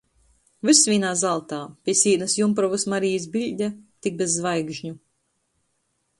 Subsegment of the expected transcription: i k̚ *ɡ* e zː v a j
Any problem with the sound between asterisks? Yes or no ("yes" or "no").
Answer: yes